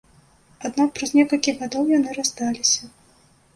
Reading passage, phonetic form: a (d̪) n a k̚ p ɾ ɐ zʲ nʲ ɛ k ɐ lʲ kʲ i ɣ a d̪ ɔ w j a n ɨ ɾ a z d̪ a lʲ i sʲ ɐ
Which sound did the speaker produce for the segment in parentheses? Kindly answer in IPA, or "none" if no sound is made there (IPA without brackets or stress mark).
d̪